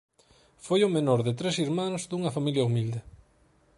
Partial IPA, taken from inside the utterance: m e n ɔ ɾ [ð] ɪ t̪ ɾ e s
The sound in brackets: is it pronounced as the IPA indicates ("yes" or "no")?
yes